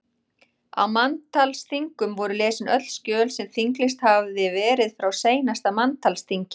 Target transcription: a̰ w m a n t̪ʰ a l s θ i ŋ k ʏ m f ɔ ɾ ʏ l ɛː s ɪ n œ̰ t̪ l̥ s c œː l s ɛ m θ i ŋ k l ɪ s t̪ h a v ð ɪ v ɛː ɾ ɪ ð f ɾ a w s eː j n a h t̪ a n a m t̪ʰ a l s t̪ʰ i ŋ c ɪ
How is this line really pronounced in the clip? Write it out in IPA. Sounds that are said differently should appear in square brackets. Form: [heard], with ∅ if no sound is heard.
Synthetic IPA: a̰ w m a n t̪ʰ a l s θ i ŋ k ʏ m [v] ɔ ɾ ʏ l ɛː s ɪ n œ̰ t̪ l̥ s c œː l s ɛ m θ i ŋ k l ɪ s t̪ h a v ð ɪ v ɛː ɾ ɪ ð f ɾ a w s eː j n a [s] t̪ a [m] a [n] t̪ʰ a l s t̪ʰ i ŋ c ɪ